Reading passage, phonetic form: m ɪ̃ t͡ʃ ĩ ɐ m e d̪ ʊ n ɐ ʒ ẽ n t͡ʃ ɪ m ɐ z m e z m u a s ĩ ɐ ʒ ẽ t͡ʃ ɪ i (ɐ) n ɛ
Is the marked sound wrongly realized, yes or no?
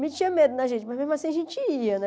no